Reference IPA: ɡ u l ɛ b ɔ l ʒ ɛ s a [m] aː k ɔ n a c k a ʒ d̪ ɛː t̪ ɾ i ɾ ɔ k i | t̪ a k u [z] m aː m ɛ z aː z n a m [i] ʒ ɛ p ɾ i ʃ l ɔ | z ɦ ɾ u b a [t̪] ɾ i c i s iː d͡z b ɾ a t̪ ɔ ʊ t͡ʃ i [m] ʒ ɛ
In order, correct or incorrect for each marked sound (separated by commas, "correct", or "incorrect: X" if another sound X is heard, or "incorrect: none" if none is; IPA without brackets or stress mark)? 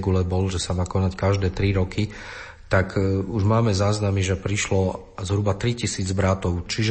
correct, incorrect: ʒ, correct, correct, incorrect: none